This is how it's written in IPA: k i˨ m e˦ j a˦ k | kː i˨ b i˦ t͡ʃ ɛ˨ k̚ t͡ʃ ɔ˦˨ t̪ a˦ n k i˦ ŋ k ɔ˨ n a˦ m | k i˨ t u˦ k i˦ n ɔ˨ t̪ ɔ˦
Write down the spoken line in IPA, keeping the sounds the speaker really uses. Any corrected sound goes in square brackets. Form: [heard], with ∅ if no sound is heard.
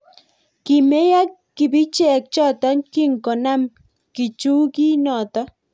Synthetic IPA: k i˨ m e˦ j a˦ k | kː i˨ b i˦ t͡ʃ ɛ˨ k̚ t͡ʃ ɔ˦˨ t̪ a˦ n k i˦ ŋ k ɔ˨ n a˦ m | k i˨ [t͡ʃ] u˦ k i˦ n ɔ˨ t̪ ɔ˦